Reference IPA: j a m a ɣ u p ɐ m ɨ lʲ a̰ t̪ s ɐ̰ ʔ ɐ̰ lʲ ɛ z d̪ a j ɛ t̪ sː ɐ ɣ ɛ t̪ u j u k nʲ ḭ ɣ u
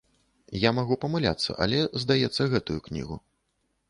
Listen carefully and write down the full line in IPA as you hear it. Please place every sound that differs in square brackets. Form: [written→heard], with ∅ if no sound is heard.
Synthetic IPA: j a m a ɣ u p ɐ m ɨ lʲ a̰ t̪ [s→sː] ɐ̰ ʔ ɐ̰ lʲ ɛ z d̪ a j ɛ t̪ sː ɐ ɣ ɛ t̪ u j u k nʲ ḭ ɣ u